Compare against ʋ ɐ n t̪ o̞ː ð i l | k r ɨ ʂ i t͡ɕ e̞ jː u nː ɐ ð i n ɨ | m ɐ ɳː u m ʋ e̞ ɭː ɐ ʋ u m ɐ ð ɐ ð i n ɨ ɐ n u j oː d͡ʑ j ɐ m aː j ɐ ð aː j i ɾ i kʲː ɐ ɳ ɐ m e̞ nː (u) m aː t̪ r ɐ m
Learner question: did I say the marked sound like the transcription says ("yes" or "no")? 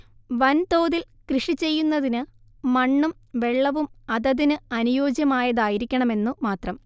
yes